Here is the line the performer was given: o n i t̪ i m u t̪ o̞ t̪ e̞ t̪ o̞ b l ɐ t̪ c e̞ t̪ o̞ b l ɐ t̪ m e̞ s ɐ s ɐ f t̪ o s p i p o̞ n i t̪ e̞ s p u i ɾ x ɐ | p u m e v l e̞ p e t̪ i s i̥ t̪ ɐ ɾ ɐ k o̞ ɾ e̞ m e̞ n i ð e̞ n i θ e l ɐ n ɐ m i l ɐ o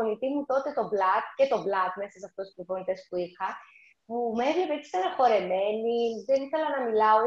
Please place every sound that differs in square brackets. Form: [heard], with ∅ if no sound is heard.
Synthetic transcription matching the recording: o n i t̪ i m u t̪ o̞ t̪ e̞ t̪ o̞ b l ɐ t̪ c e̞ t̪ o̞ b l ɐ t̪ m e̞ s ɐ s ɐ f t̪ o s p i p o̞ n i t̪ e̞ s p u i ɾ x ɐ | p u m e v l e̞ p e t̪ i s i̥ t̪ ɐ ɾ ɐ [x] o̞ ɾ e̞ m e̞ n i ð e̞ n i θ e l ɐ n ɐ m i l ɐ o